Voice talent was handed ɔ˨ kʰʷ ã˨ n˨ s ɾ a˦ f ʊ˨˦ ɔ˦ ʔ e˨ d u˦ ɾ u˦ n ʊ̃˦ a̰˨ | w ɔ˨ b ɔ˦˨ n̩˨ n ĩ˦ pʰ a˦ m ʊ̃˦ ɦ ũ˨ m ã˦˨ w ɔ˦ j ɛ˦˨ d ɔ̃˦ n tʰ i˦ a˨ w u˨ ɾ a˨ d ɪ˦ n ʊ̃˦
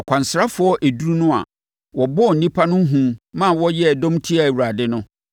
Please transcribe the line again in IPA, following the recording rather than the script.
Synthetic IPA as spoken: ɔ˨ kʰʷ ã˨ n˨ s ɾ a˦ f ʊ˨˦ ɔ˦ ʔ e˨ d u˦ ɾ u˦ n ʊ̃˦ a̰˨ | w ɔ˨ b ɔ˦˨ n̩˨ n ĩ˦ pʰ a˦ n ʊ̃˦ ɦ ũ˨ m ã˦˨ w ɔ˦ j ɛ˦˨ d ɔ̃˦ m tʰ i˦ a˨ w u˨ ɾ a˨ d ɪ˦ n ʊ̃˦

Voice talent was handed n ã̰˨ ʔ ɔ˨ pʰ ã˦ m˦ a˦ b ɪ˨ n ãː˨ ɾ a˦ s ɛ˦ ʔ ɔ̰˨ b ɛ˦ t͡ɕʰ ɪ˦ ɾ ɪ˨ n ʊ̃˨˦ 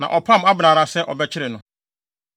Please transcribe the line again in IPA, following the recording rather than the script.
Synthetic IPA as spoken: n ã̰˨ ʔ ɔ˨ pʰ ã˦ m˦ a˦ b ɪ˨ n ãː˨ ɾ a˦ s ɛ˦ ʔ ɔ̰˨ b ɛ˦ t͡ɕʰ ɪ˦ ɾ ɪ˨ n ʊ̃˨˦

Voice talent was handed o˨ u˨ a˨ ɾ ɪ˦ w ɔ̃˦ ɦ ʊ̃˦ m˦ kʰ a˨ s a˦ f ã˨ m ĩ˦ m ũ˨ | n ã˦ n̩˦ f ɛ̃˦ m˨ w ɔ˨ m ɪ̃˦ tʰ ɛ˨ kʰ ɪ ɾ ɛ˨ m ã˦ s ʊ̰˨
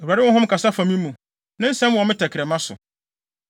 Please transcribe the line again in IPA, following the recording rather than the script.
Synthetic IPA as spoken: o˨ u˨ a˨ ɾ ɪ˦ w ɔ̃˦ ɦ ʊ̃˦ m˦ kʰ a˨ s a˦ f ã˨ m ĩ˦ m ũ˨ | n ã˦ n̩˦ s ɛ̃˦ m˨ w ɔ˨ m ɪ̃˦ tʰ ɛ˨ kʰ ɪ ɾ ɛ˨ m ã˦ s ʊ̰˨

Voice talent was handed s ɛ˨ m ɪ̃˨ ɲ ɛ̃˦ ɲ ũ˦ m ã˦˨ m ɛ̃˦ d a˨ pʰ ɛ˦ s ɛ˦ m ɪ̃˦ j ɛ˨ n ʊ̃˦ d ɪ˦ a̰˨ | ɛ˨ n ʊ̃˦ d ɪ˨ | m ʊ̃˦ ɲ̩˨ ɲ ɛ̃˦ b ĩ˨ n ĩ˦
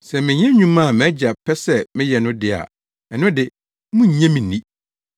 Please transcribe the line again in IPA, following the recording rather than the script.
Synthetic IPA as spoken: s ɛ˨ m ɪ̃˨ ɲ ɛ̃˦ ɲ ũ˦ m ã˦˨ m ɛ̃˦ d͡ʑ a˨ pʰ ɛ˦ s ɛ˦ m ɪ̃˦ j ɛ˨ n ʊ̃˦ d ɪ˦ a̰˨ | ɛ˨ n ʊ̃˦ d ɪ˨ | m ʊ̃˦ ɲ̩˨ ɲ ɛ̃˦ m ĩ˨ n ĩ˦

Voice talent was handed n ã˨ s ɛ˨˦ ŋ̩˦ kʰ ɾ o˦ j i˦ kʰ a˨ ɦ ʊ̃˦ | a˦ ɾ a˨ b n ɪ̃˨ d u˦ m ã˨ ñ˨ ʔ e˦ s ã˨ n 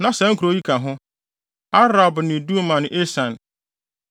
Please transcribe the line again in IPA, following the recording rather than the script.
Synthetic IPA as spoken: n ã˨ s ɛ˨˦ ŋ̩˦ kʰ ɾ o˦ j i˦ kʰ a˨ ɦ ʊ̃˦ | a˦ ɾ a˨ b n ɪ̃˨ d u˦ m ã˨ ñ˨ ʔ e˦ s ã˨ n

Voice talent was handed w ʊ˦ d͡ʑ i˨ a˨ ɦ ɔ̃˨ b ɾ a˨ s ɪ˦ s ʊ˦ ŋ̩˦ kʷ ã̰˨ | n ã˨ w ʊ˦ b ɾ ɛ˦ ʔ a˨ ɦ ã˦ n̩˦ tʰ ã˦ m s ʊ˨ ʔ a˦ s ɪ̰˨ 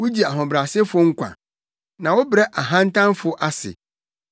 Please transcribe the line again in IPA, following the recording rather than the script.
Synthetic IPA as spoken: w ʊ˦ d͡ʑ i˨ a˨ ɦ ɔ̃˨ b ɾ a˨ s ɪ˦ f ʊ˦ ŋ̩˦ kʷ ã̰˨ | n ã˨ w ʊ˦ b ɾ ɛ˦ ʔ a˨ ɦ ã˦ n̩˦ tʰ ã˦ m f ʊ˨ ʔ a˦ s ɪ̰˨

